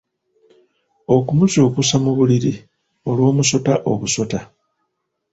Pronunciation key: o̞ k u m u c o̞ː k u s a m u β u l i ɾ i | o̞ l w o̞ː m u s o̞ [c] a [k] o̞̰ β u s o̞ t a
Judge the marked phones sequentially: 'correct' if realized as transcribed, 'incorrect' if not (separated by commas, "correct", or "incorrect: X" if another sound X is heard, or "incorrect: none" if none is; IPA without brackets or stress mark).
incorrect: t, incorrect: ʔ